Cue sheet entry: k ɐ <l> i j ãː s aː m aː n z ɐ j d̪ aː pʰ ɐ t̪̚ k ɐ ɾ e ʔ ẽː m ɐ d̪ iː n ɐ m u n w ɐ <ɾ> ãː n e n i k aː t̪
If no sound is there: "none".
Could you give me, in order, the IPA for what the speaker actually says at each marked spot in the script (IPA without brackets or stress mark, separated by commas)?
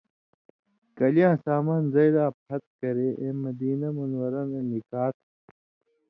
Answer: l, ɾ